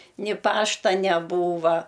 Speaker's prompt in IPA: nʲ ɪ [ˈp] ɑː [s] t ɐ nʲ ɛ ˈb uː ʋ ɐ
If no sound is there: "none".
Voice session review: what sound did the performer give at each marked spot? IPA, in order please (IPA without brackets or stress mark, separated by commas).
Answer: p, ʃ